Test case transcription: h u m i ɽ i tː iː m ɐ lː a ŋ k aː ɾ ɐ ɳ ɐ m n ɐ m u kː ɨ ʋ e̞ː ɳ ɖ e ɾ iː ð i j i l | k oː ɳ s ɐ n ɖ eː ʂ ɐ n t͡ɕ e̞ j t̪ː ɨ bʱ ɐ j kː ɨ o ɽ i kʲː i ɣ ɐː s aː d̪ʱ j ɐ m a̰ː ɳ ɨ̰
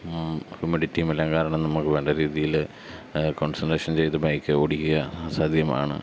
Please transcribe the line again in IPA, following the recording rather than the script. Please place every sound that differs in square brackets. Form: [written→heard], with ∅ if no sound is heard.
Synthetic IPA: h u m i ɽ i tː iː m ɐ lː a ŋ k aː ɾ ɐ ɳ ɐ m n ɐ m u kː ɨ ʋ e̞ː ɳ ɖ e ɾ iː ð i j i l | k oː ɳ s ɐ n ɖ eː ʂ ɐ n t͡ɕ e̞ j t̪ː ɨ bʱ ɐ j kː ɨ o ɽ i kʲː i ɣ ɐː s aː d̪ʱ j ɐ m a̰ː ɳ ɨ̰